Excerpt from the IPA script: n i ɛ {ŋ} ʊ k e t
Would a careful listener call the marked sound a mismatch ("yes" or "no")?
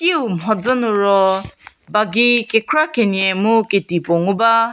yes